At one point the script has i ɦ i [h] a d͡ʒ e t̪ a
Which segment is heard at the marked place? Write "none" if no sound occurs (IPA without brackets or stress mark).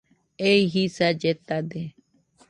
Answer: s